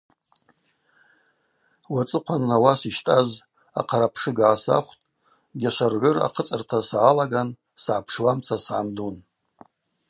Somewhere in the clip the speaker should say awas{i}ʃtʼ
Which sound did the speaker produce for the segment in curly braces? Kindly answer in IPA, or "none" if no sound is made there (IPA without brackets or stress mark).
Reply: i